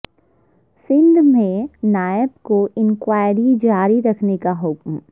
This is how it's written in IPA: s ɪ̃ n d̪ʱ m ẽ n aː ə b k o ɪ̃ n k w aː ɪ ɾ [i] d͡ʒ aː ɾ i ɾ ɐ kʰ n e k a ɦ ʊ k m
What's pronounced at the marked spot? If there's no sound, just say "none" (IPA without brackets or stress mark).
i